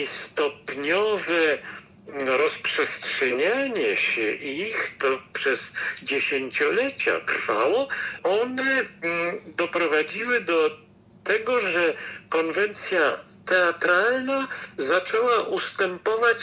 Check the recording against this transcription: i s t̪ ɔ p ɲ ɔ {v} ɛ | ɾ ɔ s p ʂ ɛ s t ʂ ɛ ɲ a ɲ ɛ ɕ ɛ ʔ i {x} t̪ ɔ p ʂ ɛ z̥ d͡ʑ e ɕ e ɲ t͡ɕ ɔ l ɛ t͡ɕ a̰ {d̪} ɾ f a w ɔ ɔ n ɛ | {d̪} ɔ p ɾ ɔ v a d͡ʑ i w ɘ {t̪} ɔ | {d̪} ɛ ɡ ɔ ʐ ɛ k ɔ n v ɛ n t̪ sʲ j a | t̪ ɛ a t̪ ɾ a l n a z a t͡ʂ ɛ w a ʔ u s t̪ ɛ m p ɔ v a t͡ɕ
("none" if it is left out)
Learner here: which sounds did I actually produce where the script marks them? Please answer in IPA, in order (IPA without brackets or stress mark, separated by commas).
v, x, t̪, d̪, d̪, t̪